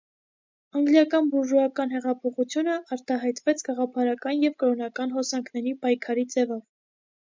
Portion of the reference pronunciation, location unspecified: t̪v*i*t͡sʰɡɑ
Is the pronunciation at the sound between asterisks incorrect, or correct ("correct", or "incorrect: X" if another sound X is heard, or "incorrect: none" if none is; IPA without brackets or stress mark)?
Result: incorrect: ɛ